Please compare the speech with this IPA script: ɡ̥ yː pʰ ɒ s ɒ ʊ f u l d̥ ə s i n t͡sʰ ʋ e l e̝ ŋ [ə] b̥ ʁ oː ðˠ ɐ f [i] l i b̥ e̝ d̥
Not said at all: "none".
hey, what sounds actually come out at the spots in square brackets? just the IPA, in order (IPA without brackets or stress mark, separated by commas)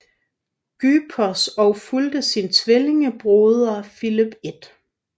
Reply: ə, i